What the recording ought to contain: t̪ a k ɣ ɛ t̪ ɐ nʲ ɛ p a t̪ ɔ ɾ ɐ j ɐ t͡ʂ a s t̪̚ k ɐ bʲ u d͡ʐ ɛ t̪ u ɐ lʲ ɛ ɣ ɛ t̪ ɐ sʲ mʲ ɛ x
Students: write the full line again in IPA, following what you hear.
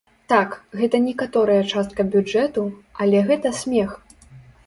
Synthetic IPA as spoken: t̪ a k ɣ ɛ t̪ ɐ nʲ ɛ k a t̪ ɔ ɾ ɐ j ɐ t͡ʂ a s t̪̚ k ɐ bʲ u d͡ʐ ɛ t̪ u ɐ lʲ ɛ ɣ ɛ t̪ ɐ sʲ mʲ ɛ x